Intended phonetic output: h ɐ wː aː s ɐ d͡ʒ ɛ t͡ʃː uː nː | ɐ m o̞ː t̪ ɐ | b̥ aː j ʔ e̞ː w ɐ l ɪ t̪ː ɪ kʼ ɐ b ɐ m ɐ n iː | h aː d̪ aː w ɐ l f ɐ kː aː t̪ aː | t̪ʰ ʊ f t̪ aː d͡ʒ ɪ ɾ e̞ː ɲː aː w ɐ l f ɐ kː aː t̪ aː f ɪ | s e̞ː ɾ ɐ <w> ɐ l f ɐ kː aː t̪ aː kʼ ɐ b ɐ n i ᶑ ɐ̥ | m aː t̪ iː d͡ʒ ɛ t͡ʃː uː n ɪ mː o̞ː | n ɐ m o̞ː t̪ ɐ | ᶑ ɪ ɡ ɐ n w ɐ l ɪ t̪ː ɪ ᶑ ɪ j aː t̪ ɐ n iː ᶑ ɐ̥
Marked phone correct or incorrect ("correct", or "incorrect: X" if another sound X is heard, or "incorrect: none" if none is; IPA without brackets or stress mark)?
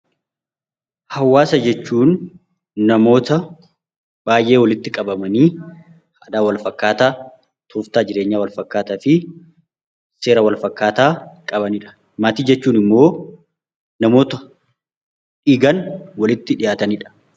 correct